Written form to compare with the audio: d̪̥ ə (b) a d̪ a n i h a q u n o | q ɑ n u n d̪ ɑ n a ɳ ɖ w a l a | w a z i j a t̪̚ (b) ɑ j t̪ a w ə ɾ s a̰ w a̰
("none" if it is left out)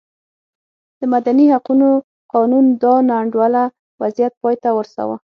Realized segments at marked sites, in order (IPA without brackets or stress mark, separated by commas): m, p